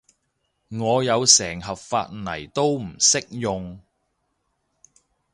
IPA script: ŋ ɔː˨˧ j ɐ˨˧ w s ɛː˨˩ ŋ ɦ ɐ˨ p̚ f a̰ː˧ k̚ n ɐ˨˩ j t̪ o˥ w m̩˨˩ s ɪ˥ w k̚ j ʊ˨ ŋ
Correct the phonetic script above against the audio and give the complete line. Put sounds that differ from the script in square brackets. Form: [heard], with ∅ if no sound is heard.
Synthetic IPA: ŋ ɔː˨˧ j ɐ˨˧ w s ɛː˨˩ ŋ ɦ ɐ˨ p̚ f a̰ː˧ [t̚] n ɐ˨˩ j t̪ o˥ w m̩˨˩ s ɪ˥ [∅] k̚ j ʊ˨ ŋ